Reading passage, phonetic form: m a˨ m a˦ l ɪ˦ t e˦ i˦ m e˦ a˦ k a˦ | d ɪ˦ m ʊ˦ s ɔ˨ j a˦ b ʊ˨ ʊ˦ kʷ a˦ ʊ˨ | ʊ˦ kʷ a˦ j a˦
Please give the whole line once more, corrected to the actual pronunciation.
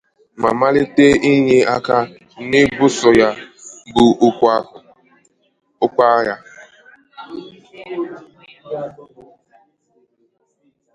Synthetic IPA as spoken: m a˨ m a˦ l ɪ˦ t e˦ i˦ ɲ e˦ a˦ k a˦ | n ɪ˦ b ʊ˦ s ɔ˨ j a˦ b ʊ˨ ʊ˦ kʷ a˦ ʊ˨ | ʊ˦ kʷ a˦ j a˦